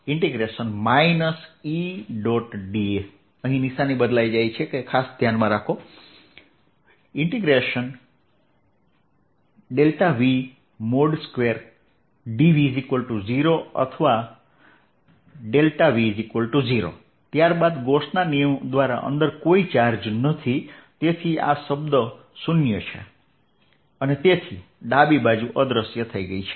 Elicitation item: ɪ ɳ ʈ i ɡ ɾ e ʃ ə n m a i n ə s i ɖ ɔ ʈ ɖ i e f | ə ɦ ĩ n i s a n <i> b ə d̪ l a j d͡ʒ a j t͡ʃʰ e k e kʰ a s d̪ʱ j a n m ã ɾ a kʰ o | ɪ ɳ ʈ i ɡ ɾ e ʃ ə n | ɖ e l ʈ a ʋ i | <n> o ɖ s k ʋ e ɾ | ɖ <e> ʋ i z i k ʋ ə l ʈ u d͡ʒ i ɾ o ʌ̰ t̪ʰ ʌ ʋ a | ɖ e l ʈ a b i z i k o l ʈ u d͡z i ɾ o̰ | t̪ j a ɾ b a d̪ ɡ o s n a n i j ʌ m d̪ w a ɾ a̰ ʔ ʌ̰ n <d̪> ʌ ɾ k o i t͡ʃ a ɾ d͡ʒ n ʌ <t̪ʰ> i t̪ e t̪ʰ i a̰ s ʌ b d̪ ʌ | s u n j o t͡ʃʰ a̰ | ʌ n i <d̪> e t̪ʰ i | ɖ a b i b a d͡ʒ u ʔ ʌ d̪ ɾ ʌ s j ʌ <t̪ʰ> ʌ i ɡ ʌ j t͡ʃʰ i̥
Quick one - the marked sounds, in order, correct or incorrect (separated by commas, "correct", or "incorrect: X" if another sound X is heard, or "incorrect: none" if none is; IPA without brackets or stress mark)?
correct, incorrect: m, incorrect: i, correct, correct, incorrect: t̪, correct